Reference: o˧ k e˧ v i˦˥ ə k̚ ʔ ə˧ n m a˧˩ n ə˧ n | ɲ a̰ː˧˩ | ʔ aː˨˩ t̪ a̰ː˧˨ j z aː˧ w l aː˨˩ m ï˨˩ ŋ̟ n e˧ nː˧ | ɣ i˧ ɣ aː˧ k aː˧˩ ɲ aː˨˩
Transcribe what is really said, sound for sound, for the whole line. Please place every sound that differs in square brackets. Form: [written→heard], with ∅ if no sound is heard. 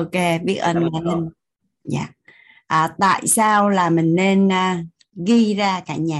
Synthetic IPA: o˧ k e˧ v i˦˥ ə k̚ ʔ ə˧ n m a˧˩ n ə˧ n | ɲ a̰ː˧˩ | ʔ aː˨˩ t̪ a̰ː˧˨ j [z→s] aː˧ w l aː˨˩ m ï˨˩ ŋ̟ n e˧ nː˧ | ɣ i˧ [ɣ→z] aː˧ k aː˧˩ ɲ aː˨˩